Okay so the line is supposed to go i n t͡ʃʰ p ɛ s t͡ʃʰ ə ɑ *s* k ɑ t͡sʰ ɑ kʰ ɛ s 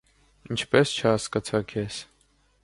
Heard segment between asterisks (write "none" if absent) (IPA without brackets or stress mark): s